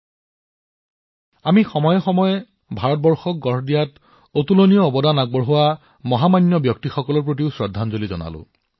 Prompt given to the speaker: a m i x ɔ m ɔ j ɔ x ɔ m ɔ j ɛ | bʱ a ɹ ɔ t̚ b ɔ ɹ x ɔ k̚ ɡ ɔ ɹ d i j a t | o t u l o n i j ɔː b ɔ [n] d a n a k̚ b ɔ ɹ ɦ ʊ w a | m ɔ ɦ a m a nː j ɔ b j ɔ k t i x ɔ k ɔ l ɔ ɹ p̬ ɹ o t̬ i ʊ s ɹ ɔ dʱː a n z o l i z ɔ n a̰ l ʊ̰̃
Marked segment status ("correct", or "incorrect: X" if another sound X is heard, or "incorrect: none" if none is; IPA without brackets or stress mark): incorrect: none